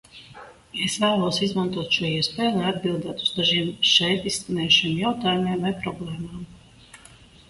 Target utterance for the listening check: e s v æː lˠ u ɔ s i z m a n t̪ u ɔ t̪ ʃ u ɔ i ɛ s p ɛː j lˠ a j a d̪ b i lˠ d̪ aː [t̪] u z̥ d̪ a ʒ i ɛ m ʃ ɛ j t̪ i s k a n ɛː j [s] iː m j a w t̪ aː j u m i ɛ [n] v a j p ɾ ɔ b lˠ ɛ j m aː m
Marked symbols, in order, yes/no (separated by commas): yes, no, no